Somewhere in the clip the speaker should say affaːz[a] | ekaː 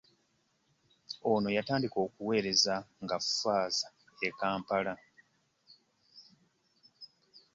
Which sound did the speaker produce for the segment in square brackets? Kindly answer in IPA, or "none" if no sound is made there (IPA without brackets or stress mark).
a